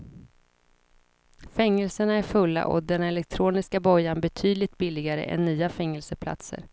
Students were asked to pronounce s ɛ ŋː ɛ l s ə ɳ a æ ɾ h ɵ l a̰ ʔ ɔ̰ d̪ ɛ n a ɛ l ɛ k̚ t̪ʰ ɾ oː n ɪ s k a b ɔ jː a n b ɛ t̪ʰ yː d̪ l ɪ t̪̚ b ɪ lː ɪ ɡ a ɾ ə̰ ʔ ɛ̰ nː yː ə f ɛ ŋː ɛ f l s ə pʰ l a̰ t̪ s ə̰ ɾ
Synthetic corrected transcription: f ɛ ŋː ɛ l s ə ɳ a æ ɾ f ɵ lː a̰ ʔ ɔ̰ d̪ ɛ n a ɛ l ɛ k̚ t̪ʰ ɾ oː n ɪ s k a b ɔ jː a n b ɛ t̪ʰ yː d̪ l ɪ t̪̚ b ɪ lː ɪ ɡ a ɾ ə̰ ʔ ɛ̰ nː yː a f ɛ ŋː ɛ l s ə pʰ l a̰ t̪ s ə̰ ɾ